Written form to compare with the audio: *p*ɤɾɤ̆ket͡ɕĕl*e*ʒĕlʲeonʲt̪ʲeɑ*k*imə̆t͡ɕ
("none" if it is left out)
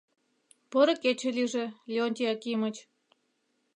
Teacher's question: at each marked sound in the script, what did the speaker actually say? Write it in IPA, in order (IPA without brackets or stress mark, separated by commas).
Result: p, i, k